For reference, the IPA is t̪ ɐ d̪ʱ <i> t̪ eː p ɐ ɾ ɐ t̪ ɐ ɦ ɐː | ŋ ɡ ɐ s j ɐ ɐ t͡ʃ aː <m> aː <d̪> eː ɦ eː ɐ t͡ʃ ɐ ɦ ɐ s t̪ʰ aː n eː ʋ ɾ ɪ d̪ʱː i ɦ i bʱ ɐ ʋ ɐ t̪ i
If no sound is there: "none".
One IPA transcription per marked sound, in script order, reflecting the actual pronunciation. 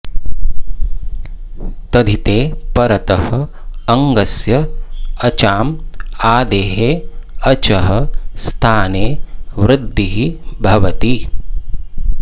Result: i, m, d̪

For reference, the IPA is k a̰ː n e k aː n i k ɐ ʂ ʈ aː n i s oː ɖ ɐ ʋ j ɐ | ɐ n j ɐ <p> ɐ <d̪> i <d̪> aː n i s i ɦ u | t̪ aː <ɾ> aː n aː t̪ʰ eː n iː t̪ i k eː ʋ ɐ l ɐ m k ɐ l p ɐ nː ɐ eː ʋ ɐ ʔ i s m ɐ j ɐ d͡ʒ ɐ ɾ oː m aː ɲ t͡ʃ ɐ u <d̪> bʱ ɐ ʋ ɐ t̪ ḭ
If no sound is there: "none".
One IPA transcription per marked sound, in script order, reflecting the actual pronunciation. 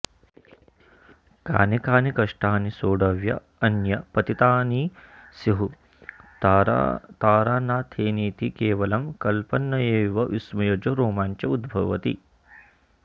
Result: p, t̪, t̪, ɾ, d̪

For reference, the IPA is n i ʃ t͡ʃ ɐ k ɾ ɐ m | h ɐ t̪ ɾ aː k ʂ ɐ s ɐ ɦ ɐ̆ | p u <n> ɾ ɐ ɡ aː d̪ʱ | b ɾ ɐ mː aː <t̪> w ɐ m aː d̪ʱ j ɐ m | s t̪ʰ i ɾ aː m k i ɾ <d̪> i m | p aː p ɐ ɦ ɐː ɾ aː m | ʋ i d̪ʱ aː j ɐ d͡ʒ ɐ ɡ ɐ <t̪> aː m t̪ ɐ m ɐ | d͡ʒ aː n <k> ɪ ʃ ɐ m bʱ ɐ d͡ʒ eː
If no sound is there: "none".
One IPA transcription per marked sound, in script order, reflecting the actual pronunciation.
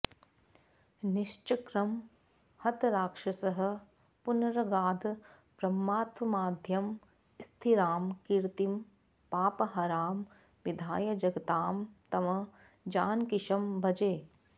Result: n, t̪, t̪, t̪, k

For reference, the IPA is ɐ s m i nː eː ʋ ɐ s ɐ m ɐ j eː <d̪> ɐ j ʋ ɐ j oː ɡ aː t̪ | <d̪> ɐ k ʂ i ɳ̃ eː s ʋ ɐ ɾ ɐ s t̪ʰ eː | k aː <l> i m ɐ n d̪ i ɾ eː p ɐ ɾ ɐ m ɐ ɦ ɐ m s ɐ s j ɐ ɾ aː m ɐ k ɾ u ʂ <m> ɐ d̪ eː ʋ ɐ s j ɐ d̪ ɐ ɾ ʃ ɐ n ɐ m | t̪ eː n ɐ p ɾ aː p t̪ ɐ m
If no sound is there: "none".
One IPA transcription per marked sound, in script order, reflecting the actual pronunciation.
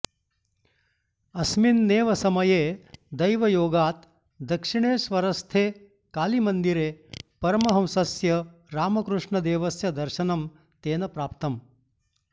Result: d̪, d̪, l, ɳ

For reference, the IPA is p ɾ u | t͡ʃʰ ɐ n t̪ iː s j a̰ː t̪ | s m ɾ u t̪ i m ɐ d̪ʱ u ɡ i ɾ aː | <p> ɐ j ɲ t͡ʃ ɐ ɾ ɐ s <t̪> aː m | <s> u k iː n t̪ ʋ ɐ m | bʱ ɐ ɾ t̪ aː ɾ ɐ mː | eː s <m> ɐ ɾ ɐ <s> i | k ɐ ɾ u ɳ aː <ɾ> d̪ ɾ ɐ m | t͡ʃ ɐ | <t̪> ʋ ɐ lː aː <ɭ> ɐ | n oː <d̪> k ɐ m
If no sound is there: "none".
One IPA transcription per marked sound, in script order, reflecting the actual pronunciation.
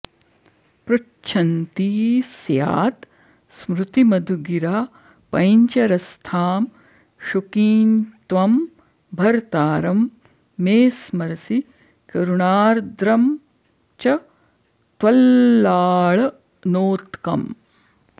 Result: p, t̪ʰ, ʃ, m, s, ɾ, t̪, ɭ, t̪

